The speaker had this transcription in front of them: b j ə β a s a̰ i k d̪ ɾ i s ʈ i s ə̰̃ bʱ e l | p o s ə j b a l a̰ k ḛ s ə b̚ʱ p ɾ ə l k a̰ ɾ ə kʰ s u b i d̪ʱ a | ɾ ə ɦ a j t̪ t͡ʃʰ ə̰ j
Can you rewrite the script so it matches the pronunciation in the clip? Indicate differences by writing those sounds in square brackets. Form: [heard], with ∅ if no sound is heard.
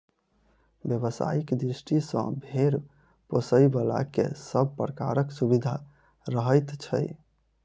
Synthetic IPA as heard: b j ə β [ə] s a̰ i k d̪ ɾ i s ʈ i s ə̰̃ bʱ e [ɾ] | p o s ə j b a l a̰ k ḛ s ə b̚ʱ p ɾ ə [∅] k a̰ ɾ ə [k] s u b i d̪ʱ a | ɾ ə ɦ [ə] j t̪ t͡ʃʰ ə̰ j